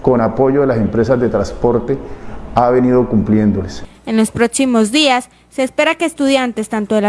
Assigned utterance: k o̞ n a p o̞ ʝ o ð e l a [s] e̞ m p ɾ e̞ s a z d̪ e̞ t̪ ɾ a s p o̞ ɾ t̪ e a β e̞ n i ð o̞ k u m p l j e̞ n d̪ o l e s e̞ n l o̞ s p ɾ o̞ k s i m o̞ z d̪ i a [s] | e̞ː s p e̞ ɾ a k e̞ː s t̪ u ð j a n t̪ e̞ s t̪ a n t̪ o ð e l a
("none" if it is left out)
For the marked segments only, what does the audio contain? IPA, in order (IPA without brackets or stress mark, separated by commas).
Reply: s, sː